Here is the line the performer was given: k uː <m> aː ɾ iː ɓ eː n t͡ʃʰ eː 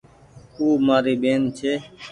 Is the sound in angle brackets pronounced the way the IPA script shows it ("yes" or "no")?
yes